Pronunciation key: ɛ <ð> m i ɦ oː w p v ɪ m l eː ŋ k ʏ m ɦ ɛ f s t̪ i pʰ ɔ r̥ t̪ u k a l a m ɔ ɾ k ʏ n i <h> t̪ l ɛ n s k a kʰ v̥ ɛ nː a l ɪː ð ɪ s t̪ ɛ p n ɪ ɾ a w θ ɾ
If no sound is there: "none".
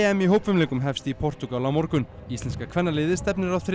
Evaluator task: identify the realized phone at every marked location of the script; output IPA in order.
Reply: none, s

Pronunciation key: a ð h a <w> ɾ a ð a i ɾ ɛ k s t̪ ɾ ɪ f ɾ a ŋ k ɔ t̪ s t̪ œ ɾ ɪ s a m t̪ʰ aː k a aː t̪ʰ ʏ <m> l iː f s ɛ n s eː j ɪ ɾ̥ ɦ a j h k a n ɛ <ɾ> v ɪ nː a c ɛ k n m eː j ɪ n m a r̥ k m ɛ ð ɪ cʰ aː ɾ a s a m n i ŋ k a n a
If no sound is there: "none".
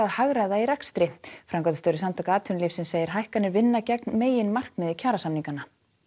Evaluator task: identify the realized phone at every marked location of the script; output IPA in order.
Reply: ɣ, n, ɾ

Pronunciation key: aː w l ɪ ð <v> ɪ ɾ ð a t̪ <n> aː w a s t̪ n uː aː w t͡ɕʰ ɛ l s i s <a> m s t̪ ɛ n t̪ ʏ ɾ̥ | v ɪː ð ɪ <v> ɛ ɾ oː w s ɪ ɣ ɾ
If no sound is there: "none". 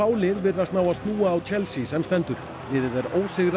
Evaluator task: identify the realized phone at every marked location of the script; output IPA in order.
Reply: v, n, ɛ, ð

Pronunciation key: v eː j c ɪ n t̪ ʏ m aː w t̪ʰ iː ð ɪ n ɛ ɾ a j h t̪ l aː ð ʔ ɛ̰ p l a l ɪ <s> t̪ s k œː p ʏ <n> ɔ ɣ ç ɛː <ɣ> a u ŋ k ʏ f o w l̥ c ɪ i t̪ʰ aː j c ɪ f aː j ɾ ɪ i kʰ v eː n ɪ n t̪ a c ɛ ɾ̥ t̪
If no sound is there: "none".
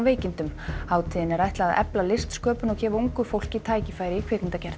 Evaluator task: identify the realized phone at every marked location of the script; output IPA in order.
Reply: s, n, v

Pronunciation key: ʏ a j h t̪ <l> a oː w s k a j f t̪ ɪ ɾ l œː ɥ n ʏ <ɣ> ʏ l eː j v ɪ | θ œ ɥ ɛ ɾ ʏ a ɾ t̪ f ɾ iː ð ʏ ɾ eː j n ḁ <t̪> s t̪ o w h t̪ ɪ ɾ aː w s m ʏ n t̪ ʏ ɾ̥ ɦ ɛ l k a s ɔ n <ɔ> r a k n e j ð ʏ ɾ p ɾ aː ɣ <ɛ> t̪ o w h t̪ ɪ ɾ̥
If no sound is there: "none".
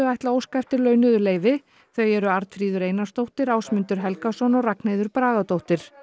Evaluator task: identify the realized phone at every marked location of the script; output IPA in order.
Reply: l, ð, none, ɔ, a

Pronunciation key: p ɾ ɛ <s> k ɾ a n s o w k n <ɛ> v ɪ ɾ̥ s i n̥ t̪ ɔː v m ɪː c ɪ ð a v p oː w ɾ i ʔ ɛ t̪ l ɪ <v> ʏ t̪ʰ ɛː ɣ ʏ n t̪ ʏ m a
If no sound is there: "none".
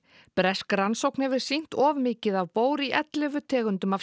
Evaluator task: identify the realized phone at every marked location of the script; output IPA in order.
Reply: s, ɛ, v

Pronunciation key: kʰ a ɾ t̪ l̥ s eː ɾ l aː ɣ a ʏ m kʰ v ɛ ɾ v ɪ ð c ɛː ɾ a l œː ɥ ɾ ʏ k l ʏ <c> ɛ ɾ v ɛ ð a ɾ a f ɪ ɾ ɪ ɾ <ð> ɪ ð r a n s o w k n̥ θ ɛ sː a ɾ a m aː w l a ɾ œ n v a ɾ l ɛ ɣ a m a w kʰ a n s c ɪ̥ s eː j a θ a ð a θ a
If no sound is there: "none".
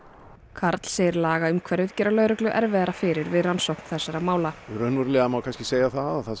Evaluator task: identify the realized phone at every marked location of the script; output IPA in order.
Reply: ʔ, v

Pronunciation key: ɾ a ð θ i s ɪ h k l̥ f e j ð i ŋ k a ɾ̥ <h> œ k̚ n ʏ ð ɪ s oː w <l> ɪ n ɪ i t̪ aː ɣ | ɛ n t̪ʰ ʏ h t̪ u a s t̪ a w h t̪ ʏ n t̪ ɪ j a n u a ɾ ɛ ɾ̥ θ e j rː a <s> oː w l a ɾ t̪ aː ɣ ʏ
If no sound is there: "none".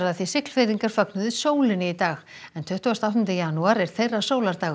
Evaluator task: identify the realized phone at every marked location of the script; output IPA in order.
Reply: f, l, s

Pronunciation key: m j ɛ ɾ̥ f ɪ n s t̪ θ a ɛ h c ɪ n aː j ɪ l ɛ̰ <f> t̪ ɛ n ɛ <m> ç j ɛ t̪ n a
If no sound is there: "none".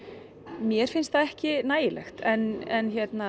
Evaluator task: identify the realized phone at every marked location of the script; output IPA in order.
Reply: x, n

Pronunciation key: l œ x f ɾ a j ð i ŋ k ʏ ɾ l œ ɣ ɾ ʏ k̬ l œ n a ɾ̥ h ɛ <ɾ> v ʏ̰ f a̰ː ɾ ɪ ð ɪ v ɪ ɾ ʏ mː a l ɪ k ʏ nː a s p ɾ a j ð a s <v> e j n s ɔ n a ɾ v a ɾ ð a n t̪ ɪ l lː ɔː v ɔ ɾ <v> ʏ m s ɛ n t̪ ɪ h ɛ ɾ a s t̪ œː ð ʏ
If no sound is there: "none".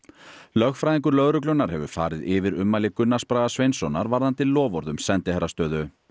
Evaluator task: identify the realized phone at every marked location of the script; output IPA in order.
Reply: none, v, ð

